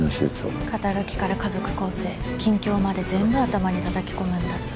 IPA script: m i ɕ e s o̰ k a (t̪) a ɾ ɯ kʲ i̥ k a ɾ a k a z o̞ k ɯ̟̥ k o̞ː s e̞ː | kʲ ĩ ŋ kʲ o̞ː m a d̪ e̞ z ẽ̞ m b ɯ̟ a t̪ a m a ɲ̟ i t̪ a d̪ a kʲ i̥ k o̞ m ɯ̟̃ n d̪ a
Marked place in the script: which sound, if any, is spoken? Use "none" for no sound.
t̪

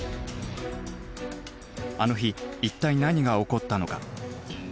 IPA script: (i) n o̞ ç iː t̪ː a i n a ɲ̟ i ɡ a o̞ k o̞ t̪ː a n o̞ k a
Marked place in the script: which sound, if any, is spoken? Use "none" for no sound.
a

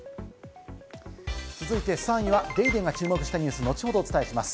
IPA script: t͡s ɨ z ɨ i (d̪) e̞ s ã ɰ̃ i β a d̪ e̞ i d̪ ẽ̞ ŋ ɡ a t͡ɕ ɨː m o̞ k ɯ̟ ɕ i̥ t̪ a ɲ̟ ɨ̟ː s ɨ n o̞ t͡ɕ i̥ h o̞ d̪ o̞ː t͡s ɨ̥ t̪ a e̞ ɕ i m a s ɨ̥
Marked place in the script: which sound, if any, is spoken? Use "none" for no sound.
t̪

